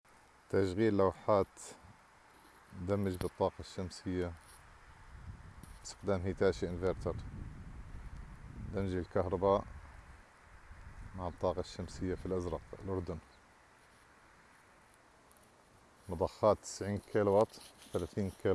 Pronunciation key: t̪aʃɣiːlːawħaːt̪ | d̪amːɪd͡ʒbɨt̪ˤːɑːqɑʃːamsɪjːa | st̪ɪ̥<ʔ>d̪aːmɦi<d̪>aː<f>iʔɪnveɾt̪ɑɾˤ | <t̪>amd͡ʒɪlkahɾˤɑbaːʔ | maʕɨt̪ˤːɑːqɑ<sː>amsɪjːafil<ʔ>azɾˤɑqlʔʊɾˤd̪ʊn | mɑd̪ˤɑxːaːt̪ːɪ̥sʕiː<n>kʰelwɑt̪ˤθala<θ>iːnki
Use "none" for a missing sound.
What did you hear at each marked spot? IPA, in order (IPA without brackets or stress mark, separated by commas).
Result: q, t̪, ʃ, d̪, ʃː, ʔ, n, θ